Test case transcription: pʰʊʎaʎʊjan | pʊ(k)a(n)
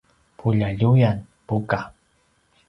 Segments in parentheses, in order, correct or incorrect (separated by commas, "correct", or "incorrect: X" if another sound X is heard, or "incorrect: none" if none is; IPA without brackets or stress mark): correct, incorrect: none